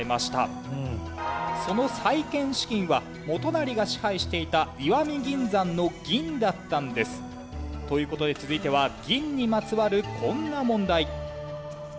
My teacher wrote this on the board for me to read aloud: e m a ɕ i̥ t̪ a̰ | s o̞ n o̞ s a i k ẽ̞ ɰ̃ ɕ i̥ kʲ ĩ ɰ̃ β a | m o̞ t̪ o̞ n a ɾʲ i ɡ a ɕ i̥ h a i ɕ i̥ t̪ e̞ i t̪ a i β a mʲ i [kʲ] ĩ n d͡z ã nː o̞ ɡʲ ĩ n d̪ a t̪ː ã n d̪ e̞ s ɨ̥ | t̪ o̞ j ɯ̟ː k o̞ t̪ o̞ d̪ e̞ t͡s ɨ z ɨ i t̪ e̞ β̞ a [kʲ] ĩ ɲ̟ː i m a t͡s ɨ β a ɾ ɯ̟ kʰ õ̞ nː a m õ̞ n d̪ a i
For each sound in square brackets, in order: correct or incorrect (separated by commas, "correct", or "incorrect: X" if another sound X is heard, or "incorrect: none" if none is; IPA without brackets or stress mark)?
incorrect: ɡʲ, incorrect: ɡʲ